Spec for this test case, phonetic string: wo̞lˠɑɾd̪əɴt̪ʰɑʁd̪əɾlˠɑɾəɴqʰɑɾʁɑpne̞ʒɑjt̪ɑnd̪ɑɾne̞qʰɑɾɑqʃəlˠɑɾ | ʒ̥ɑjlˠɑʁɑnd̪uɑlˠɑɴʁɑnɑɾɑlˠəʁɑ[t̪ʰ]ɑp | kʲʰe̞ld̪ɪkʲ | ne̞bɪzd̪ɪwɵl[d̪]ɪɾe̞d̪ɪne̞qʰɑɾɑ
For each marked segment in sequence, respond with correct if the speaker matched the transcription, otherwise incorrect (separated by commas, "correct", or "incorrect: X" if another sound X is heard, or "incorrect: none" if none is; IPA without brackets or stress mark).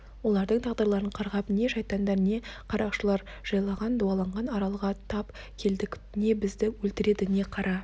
correct, incorrect: t̪